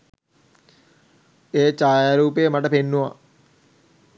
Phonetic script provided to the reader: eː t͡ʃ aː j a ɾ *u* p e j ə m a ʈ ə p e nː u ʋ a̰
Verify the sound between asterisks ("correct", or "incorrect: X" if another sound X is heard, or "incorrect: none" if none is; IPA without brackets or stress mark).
incorrect: uː